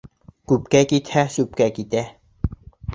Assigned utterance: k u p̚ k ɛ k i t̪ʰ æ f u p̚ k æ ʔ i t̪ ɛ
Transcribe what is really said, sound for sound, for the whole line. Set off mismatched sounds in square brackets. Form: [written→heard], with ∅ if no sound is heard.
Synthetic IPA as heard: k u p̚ k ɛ k i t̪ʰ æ [f→s] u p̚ k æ [ʔ→k] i t̪ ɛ